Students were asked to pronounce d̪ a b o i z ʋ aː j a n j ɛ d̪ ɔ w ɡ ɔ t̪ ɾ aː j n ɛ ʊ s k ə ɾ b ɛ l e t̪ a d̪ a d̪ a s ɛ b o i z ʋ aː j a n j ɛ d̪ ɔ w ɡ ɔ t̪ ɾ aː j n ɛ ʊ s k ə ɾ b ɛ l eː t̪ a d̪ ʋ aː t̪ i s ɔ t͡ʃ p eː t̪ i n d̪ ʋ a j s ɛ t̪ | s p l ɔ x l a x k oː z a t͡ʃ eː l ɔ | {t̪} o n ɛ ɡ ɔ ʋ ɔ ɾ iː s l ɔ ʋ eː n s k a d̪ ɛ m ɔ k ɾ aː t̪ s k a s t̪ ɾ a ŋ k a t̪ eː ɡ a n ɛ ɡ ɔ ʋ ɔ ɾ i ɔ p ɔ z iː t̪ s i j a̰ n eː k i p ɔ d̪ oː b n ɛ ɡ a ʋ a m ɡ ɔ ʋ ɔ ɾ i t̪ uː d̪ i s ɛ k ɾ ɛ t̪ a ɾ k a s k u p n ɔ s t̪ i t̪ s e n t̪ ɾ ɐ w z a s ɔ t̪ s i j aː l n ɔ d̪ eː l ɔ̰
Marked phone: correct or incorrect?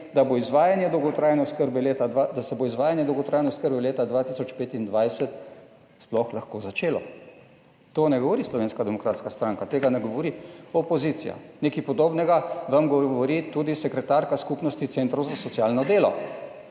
correct